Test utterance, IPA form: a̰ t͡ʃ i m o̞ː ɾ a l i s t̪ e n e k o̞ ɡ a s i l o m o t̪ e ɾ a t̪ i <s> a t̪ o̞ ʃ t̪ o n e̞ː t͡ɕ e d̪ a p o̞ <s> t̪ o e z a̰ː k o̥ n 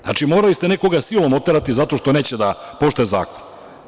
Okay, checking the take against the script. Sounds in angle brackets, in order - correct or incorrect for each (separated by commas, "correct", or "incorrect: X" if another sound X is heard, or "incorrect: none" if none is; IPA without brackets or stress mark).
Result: incorrect: z, incorrect: ʃ